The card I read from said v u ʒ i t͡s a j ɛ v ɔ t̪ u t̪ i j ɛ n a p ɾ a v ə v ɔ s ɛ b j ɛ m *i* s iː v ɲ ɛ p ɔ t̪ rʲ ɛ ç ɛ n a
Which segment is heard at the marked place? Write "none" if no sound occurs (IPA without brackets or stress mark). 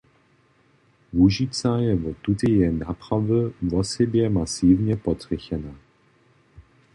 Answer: a